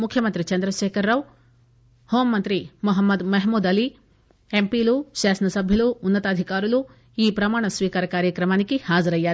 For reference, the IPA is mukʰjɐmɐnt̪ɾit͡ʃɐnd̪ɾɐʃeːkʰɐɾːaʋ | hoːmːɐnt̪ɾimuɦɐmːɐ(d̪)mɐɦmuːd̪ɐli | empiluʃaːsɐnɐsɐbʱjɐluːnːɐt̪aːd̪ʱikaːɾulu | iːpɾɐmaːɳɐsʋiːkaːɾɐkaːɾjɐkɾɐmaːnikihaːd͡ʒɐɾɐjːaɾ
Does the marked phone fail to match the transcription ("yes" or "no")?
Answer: no